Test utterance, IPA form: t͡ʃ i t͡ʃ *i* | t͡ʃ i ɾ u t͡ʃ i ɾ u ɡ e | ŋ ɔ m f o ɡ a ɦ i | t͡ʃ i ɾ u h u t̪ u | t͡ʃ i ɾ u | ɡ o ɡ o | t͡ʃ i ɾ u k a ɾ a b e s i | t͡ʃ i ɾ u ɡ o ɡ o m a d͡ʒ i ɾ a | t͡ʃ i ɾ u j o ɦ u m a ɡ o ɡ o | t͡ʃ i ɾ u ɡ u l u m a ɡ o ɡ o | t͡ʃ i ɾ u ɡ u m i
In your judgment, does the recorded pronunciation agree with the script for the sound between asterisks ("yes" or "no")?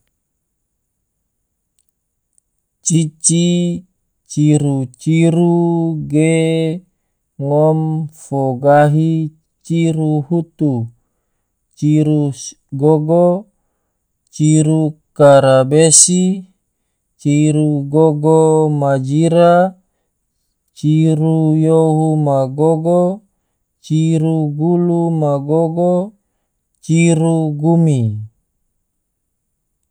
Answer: yes